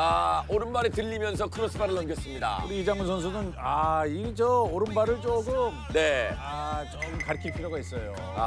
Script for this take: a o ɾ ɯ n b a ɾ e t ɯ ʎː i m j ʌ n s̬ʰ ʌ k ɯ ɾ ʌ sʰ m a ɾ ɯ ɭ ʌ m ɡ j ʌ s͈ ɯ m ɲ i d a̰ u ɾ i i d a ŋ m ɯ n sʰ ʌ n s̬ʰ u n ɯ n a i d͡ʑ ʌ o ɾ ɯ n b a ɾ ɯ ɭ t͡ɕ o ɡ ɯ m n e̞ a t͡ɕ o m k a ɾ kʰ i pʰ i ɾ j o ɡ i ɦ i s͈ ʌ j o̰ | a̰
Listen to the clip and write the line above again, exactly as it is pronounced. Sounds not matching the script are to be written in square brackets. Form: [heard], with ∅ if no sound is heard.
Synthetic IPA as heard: a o ɾ ɯ n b a ɾ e t ɯ ʎː i m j ʌ n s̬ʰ ʌ k ɯ ɾ ʌ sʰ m a ɾ ɯ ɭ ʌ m ɡ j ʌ s͈ ɯ m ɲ i d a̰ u ɾ i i [d͡ʑ] a ŋ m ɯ n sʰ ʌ n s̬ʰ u n ɯ n a i d͡ʑ ʌ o ɾ ɯ n b a ɾ ɯ ɭ t͡ɕ o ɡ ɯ m n e̞ a t͡ɕ o m k a ɾ kʰ i pʰ i ɾ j o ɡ [a] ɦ i s͈ ʌ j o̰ | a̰